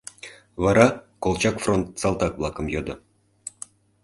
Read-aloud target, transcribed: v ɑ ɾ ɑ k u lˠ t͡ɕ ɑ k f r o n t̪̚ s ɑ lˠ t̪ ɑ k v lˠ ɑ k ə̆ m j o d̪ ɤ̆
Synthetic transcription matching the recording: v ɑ ɾ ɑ k o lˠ t͡ɕ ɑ k f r o n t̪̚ s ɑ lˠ t̪ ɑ k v lˠ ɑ k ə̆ m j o d̪ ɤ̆